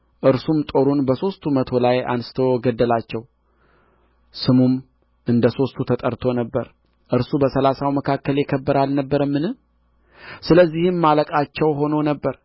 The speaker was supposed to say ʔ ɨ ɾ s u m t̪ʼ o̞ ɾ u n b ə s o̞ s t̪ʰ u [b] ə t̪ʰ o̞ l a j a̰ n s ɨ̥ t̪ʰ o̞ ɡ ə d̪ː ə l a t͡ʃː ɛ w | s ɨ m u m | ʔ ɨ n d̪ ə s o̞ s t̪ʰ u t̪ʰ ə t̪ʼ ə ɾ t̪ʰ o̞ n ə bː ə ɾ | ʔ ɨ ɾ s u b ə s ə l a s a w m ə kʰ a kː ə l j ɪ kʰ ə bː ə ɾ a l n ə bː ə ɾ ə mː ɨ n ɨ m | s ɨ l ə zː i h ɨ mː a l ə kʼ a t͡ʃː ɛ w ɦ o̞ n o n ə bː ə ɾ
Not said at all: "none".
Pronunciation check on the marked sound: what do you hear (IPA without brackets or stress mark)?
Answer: m